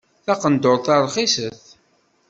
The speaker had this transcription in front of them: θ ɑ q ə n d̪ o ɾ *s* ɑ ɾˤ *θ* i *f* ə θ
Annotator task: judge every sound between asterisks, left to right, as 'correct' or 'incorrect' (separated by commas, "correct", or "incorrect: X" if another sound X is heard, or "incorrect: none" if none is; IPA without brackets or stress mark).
incorrect: θ, incorrect: χ, incorrect: s